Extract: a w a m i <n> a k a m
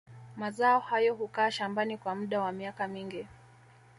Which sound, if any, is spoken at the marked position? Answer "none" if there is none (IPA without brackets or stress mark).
none